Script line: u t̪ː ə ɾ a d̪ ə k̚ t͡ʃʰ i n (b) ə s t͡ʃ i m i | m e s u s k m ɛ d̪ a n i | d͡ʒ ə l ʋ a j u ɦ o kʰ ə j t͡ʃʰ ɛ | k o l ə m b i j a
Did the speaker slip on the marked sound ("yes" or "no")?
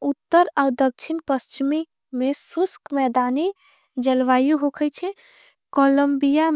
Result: yes